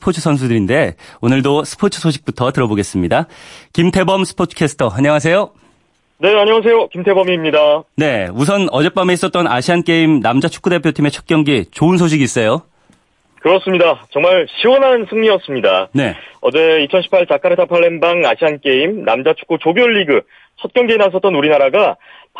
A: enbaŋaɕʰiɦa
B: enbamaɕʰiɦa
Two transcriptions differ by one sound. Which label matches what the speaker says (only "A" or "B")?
A